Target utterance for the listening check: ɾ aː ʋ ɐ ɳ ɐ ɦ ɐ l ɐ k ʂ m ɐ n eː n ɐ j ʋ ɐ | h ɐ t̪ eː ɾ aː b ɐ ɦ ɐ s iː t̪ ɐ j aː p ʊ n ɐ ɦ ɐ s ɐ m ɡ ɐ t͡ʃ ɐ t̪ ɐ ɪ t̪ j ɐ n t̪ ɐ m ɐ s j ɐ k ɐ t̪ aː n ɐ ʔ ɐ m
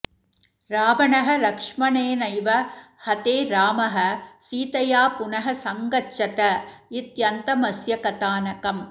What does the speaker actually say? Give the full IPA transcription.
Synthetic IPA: ɾ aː ʋ ɐ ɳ ɐ ɦ ɐ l ɐ k ʂ m ɐ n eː n ɐ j ʋ ɐ | h ɐ t̪ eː ɾ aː m ɐ ɦ ɐ s iː t̪ ɐ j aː p ʊ n ɐ ɦ ɐ s ɐ ŋ ɡ ɐ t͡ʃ ɐ t̪ ɐ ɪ t̪ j ɐ n t̪ ɐ m ɐ s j ɐ k ɐ t̪ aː n ɐ k ɐ m